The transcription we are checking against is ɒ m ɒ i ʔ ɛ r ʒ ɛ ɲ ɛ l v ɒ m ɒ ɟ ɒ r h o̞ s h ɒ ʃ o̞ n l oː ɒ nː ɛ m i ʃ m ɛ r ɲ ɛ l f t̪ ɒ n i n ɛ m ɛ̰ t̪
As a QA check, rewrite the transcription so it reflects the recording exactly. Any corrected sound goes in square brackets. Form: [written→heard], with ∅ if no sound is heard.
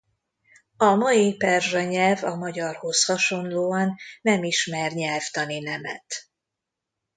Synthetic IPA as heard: ɒ m ɒ i [ʔ→p] ɛ r ʒ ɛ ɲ ɛ l v ɒ m ɒ ɟ ɒ r h o̞ s h ɒ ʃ o̞ n l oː ɒ nː ɛ m i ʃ m ɛ r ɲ ɛ l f t̪ ɒ n i n ɛ m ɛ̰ t̪